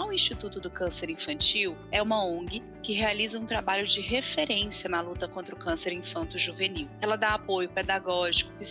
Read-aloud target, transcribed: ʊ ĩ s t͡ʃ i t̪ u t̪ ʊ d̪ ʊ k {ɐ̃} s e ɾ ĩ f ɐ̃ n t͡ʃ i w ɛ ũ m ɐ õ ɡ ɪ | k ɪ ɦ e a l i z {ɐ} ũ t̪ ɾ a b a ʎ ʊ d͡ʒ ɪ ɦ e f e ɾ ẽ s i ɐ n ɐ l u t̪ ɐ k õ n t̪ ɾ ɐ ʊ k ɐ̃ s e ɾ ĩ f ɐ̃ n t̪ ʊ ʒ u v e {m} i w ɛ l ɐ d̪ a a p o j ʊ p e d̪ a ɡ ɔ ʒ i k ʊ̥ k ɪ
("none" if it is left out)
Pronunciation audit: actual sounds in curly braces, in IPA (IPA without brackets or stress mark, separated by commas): ɐ̃, ɐ, n